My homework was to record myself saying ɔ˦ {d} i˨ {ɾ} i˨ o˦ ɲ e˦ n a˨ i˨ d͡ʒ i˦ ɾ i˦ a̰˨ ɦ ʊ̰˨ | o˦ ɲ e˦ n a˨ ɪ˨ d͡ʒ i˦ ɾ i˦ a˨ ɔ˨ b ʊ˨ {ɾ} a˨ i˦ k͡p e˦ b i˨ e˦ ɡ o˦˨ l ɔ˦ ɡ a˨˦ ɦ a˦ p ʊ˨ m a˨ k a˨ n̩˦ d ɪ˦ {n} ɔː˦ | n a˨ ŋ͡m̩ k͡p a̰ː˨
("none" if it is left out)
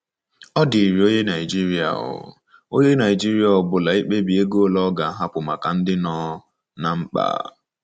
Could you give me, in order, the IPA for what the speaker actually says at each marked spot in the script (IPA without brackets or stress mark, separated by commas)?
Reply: d, ɾ, l, n